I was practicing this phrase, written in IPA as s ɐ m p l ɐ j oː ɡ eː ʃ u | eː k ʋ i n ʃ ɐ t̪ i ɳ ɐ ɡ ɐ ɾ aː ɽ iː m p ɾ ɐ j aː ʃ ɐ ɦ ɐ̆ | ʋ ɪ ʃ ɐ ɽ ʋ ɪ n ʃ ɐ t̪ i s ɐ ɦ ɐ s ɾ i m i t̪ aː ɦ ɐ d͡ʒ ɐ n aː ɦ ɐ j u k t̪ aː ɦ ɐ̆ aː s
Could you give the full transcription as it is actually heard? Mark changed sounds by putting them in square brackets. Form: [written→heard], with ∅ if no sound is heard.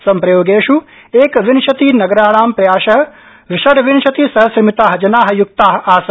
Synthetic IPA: s ɐ m p [l→ɾ] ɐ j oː ɡ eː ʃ u | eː k ʋ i n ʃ ɐ t̪ i [ɳ→n] ɐ ɡ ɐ ɾ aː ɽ [iː→aː] m p ɾ ɐ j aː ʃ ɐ ɦ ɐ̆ | ʋ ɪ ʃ ɐ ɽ ʋ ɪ n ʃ ɐ t̪ i s ɐ ɦ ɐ s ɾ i m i t̪ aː ɦ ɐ d͡ʒ ɐ n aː ɦ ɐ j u k t̪ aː ɦ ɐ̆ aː s